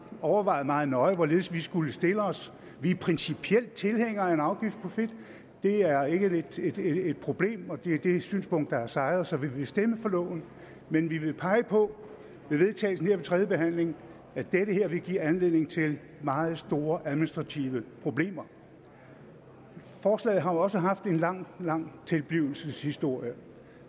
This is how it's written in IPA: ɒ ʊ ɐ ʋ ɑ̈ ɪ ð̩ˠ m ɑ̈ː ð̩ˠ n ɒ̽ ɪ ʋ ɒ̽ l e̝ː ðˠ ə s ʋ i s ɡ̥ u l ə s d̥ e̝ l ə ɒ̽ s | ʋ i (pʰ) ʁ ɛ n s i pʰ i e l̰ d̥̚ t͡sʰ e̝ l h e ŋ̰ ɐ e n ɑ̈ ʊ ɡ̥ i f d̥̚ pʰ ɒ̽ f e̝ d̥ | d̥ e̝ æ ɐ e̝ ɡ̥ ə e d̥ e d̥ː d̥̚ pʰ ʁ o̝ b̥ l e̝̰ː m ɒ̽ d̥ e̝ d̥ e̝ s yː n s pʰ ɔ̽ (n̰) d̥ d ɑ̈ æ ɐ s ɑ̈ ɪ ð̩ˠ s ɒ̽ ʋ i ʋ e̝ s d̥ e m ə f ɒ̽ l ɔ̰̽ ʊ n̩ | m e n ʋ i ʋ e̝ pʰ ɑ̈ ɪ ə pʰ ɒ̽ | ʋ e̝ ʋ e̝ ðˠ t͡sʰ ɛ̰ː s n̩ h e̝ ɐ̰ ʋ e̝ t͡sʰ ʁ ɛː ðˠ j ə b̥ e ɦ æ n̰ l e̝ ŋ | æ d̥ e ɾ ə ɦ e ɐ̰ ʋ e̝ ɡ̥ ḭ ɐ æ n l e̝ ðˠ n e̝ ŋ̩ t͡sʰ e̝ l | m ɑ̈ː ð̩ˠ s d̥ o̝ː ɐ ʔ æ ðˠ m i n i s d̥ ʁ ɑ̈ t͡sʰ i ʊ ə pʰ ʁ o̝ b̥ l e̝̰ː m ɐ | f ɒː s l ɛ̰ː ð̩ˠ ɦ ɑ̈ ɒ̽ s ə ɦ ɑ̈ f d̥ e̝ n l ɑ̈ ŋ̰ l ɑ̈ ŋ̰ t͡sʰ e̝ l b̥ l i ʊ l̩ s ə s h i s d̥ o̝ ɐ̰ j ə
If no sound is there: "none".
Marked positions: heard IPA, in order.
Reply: pʰ, ŋ̰

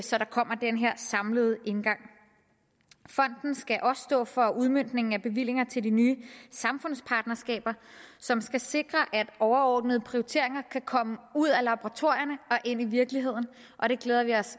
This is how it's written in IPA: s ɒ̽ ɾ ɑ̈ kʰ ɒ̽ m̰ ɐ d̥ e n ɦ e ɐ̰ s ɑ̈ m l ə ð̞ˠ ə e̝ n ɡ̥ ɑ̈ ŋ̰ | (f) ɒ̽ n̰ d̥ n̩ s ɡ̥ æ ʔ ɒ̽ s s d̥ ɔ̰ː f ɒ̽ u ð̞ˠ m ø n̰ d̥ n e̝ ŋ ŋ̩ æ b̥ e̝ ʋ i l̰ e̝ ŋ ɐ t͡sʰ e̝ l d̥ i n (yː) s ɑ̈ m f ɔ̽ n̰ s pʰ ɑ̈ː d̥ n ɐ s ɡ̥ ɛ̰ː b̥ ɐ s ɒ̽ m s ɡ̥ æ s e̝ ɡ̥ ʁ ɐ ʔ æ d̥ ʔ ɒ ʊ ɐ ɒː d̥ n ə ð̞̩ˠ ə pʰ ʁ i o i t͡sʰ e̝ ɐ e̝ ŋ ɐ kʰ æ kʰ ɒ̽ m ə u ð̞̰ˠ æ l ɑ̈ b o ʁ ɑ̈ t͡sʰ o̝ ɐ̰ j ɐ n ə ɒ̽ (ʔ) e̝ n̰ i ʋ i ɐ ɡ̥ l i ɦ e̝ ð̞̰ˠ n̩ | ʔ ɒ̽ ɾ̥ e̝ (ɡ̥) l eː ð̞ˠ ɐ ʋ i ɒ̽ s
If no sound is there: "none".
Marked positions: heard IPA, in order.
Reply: f, yː, ʔ, ɡ̥

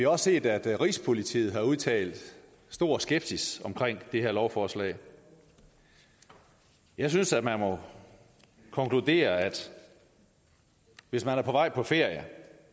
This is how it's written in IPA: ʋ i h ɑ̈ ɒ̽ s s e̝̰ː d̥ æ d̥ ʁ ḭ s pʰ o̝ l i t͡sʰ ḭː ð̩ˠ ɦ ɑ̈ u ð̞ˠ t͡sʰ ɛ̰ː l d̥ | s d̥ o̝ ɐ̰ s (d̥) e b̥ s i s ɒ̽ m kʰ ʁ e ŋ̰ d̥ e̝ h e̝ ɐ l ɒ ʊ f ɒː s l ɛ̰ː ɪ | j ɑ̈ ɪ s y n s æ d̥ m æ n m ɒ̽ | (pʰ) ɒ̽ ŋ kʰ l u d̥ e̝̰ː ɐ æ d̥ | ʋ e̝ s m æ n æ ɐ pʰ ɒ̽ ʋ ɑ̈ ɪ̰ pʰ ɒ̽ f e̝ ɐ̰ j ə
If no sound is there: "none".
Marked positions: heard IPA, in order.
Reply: ɡ̥, kʰ

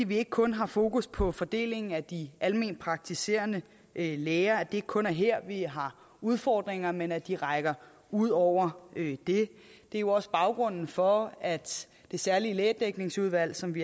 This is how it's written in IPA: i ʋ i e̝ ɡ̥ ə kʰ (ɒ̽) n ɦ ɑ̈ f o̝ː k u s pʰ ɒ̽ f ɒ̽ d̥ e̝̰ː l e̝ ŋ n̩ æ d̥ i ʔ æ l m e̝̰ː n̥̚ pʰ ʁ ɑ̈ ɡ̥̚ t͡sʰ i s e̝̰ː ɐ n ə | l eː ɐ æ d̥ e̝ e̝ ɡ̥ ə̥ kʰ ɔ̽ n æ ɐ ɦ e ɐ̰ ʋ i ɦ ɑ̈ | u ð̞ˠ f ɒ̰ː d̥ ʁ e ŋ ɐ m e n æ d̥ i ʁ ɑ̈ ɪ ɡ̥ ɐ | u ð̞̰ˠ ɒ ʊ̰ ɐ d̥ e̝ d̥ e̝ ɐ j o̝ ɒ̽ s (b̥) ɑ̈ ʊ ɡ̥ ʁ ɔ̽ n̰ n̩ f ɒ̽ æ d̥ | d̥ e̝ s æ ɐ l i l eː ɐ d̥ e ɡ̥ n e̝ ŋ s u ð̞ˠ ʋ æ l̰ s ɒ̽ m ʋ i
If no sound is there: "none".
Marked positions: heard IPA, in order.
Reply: ɔ̽, b̥

